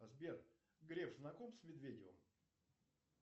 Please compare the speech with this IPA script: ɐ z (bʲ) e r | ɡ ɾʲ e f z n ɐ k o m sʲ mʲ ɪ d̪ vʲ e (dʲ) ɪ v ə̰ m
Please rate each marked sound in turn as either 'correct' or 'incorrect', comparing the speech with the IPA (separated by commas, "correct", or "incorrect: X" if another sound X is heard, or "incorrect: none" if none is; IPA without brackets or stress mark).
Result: correct, correct